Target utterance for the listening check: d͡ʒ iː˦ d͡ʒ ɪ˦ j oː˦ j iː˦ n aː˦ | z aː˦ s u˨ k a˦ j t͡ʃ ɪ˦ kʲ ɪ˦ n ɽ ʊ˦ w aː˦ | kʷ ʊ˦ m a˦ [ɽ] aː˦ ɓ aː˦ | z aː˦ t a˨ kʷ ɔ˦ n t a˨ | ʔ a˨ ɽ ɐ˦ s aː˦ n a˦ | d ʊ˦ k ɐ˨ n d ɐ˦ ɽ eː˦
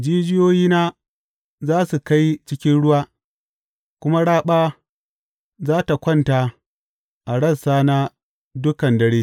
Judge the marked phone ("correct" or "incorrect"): correct